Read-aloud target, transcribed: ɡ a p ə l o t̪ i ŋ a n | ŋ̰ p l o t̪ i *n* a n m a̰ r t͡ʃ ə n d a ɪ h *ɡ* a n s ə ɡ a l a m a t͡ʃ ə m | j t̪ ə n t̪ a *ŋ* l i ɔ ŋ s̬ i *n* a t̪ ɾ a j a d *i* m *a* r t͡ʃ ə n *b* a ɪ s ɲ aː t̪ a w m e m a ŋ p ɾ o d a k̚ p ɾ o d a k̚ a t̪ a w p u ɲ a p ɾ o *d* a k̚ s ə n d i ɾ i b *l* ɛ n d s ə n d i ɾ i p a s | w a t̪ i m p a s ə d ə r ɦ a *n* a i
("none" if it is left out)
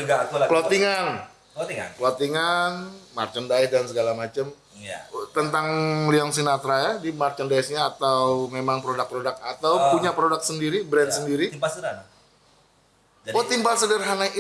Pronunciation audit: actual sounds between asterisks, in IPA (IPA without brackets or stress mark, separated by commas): ŋ, d, ŋ, n, i, a, d, d, ɾ, n